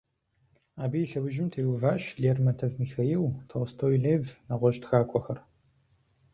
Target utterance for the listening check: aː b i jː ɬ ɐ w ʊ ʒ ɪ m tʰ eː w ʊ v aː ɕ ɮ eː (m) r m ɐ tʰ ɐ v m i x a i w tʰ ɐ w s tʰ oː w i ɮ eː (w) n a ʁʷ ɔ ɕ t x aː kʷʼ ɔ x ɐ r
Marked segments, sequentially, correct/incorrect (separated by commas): incorrect, incorrect